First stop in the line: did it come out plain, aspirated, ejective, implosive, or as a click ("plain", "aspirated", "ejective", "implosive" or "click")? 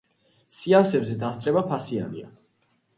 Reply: plain